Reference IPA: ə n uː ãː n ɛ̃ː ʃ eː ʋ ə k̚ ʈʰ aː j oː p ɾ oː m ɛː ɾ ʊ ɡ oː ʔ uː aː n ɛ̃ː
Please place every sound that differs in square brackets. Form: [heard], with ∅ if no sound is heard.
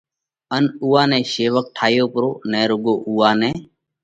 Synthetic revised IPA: ə n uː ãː n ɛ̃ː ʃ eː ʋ ə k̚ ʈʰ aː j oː p ɾ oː [n] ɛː ɾ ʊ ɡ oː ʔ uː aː n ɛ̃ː